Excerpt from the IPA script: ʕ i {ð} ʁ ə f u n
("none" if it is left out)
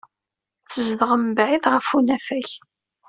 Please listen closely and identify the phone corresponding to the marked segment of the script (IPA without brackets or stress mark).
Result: ð